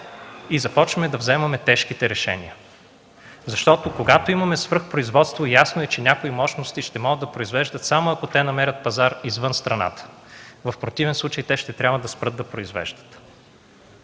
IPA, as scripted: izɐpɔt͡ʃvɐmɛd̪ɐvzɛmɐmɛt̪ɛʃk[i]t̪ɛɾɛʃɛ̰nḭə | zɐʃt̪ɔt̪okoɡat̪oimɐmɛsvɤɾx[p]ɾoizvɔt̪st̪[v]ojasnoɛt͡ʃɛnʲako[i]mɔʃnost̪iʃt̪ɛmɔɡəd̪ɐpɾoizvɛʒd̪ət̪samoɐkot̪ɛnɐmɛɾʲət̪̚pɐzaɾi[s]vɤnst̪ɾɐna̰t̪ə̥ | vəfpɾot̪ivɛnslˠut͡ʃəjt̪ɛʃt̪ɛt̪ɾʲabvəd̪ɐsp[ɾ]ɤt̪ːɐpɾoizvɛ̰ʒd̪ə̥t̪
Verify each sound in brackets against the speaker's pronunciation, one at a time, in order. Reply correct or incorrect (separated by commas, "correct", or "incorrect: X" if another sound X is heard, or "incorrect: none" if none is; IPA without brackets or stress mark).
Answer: correct, correct, correct, correct, incorrect: z, correct